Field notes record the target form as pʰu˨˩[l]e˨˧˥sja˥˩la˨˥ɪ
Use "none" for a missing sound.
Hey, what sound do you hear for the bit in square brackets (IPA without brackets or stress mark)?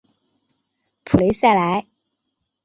l